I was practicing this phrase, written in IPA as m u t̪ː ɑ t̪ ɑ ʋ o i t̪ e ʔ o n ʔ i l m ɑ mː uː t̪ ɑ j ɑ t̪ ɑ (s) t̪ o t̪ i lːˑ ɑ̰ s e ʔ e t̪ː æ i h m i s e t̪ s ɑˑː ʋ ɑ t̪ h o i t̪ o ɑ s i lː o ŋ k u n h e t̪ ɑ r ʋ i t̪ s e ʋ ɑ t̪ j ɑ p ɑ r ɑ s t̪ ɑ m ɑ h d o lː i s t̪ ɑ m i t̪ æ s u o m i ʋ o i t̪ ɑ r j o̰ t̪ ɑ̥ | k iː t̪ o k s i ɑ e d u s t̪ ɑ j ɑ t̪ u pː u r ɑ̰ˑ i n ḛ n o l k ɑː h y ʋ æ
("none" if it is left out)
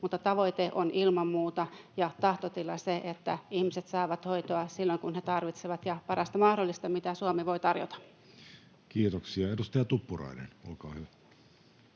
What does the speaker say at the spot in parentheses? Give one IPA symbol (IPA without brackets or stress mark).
h